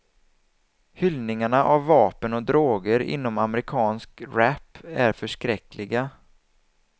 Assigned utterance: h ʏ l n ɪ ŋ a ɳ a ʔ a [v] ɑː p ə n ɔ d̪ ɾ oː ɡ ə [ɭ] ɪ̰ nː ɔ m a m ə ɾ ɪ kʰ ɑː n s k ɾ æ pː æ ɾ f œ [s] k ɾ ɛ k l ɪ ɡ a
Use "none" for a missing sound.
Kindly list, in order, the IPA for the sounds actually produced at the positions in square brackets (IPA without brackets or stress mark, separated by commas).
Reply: vː, ɾ, ʂ